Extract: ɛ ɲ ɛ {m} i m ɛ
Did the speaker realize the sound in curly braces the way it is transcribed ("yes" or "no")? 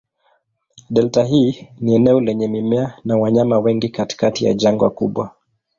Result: yes